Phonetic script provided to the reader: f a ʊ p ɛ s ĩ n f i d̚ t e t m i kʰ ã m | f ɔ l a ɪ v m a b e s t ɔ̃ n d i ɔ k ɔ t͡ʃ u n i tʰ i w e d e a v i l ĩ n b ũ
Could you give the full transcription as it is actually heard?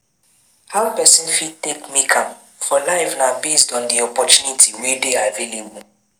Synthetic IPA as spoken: h a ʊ p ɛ s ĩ n f i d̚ t e k m i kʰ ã m | f ɔ l a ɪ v n a b e s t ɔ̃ n d i ɔ p ɔ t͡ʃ u n i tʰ i w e d e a v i l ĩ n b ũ

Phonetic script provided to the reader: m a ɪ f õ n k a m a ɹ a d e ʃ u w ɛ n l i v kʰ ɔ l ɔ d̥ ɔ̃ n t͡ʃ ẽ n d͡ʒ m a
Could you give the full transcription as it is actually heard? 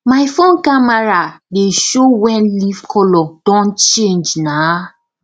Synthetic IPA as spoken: m a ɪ f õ n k a m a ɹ a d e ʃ o w ɛ n l i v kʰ ɔ l ɔ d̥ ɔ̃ n t͡ʃ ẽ n d͡ʒ n a

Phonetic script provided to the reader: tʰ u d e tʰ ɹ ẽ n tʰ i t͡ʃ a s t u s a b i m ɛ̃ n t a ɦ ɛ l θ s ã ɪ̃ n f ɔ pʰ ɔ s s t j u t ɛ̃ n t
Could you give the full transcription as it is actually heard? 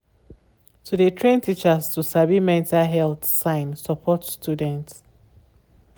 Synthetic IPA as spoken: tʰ u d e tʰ ɹ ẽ n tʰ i t͡ʃ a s t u s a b i m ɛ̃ n t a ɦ ɛ l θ s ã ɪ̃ n s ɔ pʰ ɔ t s t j u d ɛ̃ n t

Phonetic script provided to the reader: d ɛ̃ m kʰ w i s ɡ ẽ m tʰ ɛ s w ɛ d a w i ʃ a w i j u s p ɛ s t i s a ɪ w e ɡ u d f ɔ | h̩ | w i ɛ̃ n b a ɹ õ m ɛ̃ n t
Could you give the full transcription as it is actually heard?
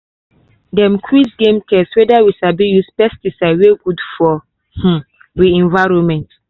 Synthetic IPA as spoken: d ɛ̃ m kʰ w i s ɡ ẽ m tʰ ɛ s w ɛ d a w i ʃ a b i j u s p ɛ s t i s a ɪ w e ɡ u d f ɔ | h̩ | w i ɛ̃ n v a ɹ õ m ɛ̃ n t

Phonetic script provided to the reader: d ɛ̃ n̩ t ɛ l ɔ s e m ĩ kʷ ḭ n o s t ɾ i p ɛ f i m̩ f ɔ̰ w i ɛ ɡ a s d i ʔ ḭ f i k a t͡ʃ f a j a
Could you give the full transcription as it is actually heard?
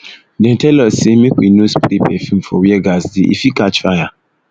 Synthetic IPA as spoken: d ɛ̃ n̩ t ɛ l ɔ s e m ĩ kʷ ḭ n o s p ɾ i p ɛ f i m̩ f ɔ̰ w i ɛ ɡ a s d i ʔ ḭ f i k a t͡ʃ f a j a

